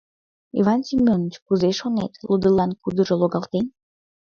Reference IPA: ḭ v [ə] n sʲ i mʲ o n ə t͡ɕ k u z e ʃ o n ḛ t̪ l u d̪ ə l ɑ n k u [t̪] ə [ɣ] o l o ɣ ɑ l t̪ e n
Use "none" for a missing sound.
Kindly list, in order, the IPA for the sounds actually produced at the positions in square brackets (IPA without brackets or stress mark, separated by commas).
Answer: ɑ, d̪, ʒ